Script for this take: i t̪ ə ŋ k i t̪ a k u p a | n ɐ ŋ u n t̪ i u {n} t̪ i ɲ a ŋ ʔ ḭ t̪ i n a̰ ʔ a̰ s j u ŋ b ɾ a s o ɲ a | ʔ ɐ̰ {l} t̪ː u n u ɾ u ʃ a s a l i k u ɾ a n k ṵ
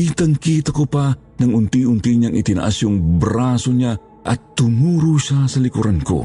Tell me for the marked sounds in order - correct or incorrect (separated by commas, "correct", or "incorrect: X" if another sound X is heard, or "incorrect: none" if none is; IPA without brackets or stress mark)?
correct, incorrect: none